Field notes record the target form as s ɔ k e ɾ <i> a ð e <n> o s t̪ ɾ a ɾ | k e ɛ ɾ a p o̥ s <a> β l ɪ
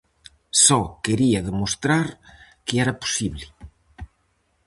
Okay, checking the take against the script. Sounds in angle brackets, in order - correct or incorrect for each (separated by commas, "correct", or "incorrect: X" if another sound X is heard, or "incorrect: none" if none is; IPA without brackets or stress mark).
correct, incorrect: m, incorrect: i